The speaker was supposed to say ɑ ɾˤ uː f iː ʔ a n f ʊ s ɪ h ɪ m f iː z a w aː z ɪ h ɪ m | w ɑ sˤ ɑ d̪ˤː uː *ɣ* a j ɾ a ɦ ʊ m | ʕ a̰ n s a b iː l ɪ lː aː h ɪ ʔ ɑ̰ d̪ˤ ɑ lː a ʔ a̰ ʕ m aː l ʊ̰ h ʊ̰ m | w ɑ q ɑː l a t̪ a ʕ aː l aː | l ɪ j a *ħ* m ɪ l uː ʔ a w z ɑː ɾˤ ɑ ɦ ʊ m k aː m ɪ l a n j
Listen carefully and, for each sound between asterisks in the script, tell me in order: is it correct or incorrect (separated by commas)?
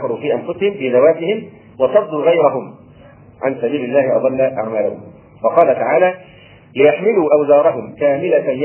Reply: correct, correct